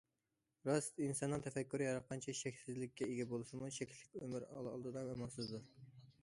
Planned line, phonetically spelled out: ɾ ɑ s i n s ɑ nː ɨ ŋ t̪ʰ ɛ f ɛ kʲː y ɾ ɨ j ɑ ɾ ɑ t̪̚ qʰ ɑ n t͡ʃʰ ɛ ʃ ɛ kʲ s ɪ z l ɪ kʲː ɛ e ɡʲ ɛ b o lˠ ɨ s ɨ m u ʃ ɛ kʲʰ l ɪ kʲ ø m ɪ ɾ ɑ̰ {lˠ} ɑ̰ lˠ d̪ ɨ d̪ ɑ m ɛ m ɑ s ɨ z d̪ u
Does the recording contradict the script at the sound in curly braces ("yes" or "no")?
no